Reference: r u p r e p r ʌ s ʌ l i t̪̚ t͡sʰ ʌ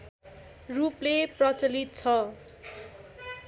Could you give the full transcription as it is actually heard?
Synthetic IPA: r u p l e p r ʌ t͡s ʌ l i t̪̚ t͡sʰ ʌ